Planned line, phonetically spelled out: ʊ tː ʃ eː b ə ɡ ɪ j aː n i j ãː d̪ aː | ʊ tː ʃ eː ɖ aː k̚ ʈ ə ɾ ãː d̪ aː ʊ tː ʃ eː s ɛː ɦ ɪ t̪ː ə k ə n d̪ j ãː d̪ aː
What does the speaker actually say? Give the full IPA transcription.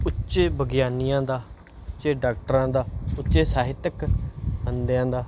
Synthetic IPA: ʊ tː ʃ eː b ə ɡ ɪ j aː n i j ãː d̪ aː | ʊ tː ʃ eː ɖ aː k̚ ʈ ə ɾ ãː d̪ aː ʊ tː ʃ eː s aː ɦ ɪ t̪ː ə k ə n d̪ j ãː d̪ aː